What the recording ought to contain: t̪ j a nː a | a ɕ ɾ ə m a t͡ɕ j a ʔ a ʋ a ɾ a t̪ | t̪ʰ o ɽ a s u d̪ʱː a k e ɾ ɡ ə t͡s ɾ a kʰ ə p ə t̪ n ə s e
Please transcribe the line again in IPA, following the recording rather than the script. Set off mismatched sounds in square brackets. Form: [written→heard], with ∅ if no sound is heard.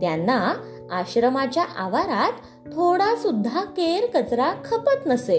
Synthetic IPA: t̪ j a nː a | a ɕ ɾ ə m a t͡ɕ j a ʔ a ʋ a ɾ a t̪ | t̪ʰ o ɽ a s u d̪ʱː a k e ɾ [ɡ→k] ə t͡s ɾ a kʰ ə p ə t̪ n ə s e